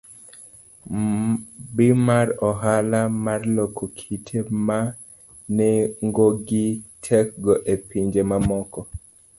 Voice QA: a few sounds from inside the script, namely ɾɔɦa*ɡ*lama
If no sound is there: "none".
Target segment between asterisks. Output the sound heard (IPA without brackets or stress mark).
none